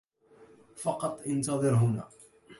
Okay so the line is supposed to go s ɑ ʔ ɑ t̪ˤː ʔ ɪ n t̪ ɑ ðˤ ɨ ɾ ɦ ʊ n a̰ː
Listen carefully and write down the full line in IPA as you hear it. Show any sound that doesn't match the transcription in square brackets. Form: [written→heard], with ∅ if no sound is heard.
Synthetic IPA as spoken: [s→f] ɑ [ʔ→q] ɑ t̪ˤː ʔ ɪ n t̪ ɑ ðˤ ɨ ɾ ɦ ʊ n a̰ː